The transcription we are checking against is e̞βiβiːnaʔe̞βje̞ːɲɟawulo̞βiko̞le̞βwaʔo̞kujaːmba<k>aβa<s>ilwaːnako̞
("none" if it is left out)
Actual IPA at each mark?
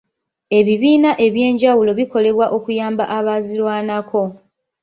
ʔ, z

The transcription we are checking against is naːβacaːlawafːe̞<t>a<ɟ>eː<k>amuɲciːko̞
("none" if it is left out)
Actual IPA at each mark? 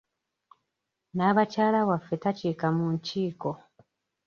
t, c, k

